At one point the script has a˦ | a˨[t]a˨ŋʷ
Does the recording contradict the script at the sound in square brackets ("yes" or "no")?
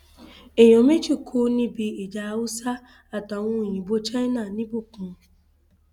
no